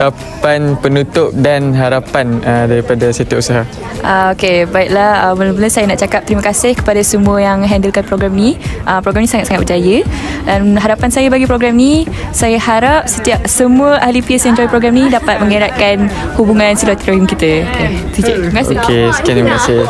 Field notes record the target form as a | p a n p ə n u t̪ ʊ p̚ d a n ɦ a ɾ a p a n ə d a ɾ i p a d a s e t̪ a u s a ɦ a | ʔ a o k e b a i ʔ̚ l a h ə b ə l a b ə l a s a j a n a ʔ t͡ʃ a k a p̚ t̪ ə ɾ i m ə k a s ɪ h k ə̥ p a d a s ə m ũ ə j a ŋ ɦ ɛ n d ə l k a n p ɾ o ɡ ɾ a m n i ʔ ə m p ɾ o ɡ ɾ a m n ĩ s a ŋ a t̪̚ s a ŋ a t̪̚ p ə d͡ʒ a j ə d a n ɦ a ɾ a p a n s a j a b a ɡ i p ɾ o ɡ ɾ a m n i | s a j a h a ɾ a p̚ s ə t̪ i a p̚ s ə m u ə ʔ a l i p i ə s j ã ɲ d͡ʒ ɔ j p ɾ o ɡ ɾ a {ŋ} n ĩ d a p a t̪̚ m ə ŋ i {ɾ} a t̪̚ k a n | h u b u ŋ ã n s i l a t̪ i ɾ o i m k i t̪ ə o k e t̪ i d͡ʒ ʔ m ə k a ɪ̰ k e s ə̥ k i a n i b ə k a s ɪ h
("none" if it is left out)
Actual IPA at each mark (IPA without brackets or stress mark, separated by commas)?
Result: m, ɾ